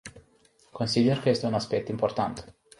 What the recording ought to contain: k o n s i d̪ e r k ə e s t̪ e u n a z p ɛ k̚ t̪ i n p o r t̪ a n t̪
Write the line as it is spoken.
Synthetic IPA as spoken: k o n s i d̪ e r k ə e s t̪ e u n a s p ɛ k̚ t̪ i m p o r t̪ a n t̪